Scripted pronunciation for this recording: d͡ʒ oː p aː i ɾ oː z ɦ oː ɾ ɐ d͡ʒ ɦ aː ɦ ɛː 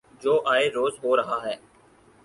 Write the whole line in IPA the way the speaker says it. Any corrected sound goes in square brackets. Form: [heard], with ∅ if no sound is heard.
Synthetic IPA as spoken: d͡ʒ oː [ʔ] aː [e] ɾ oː z ɦ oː ɾ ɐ [∅] ɦ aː ɦ ɛː